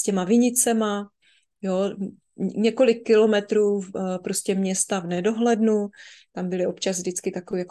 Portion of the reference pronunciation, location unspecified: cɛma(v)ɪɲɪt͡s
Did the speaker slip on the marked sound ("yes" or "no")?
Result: no